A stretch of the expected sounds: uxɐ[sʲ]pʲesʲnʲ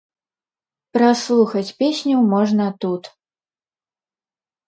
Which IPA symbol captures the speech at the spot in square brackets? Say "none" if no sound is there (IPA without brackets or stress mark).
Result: t͡sʲ